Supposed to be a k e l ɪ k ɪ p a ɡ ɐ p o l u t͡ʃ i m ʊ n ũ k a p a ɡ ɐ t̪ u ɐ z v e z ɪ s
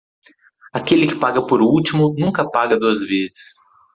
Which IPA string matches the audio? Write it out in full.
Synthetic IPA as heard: a k e l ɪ k ɪ p a ɡ ɐ p o ɾ u t͡ʃ i m ʊ n ũ k ɐ p a ɡ ɐ d̪ u ɐ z v e z ɪ s

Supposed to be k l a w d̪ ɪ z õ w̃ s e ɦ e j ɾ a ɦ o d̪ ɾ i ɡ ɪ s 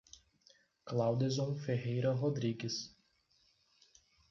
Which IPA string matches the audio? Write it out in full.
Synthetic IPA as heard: k l a w d̪ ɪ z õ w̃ f e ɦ e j ɾ ɐ ɦ o d̪ ɾ i ɡ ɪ s

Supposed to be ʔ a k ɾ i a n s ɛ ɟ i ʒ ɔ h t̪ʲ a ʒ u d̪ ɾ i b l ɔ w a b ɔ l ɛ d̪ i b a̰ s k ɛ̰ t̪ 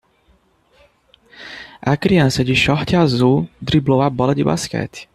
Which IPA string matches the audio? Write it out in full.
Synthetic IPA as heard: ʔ a k ɾ i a n s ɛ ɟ i ʃ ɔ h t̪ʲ a z u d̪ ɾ i b l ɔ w a b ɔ l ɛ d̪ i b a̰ s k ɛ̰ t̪

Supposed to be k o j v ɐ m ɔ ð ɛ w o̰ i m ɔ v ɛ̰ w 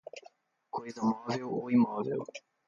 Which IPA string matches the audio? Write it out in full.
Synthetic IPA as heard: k o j z ɐ m ɔ v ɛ w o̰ i m ɔ v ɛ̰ w

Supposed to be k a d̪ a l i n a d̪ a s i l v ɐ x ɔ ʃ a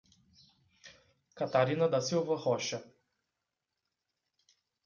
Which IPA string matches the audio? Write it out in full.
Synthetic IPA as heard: k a t̪ a ɾ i n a d̪ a s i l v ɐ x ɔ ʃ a

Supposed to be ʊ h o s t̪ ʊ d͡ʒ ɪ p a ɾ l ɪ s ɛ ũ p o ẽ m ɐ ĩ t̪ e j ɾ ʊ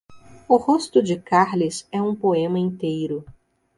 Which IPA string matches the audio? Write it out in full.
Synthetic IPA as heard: ʊ h o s t̪ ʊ d͡ʒ ɪ k a ɾ l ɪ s ɛ ũ p o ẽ m ɐ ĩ t̪ e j ɾ ʊ

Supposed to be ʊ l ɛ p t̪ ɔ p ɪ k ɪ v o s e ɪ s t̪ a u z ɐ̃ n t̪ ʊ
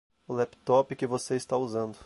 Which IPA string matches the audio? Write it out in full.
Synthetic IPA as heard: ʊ l ɛ p t̪ ɔ p ɪ k ɪ v o s e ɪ s t̪ a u z ɐ̃ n d̪ ʊ

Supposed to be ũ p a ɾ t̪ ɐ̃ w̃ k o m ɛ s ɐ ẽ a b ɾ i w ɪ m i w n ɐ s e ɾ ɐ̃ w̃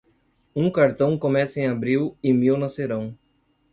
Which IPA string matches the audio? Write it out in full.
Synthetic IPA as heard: ũ k a ɾ t̪ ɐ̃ w̃ k o m ɛ s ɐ ẽ a b ɾ i w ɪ m i w n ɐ s e ɾ ɐ̃ w̃

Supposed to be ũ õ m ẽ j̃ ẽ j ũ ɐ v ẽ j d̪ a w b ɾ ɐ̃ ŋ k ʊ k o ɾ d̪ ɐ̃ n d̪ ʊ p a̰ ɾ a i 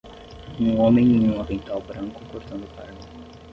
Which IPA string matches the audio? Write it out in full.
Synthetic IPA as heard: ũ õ m ẽ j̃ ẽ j ũ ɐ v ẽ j t̪ a w b ɾ ɐ̃ ŋ k ʊ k o ɾ t̪ ɐ̃ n d̪ ʊ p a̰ ɾ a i

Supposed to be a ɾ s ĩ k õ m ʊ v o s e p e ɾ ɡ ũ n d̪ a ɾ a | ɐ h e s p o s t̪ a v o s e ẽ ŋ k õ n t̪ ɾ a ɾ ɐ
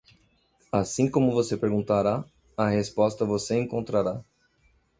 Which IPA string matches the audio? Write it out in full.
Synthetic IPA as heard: a s ĩ k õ m ʊ v o s e p e ɾ ɡ ũ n t̪ a ɾ a | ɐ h e s p ɔ s t̪ ɐ v o s e ẽ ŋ k õ n t̪ ɾ a ɾ a

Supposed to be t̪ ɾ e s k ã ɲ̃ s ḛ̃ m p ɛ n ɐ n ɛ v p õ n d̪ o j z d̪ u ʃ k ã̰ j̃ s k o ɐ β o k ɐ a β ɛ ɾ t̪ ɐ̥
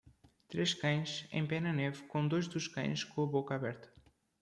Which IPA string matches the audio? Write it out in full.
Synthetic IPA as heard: t̪ ɾ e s k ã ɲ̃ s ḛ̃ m p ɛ n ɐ n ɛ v k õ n d̪ o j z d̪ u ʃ k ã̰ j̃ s k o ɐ β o k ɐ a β ɛ ɾ t̪ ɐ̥

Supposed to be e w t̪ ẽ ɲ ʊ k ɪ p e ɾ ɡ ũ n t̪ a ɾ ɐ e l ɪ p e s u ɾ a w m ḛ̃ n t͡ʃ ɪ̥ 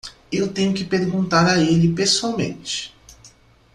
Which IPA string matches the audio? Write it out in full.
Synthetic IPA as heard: e w t̪ ẽ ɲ ʊ k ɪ p e ɾ ɡ ũ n t̪ a ɾ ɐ e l ɪ p e s u a w m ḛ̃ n t͡ʃ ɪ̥

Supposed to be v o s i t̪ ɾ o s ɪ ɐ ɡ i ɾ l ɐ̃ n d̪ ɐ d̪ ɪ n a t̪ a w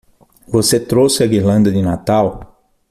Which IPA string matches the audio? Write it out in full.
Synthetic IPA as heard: v o s e t̪ ɾ o s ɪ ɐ ɡ i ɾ l ɐ̃ n d̪ ɐ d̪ ɪ n a t̪ a w

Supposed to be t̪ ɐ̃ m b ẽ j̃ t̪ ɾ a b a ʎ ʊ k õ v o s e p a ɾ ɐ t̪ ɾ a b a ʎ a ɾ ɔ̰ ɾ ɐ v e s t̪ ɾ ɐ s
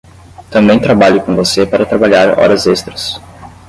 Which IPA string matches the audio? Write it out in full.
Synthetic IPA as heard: t̪ ɐ̃ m b ẽ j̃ t̪ ɾ a b a ʎ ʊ k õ v o s e p a ɾ ɐ t̪ ɾ a b a ʎ a ɾ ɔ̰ ɾ ɐ z e s t̪ ɾ ɐ s

